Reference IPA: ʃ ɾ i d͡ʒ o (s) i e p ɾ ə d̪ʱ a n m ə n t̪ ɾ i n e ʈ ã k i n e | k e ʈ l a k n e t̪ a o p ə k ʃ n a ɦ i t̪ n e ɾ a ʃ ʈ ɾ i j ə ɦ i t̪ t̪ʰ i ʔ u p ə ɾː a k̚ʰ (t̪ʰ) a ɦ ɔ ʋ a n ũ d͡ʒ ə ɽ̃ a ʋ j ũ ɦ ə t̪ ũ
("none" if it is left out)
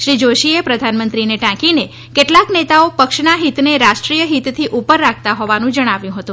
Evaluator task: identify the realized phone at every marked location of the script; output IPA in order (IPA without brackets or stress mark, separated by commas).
ʃ, t̪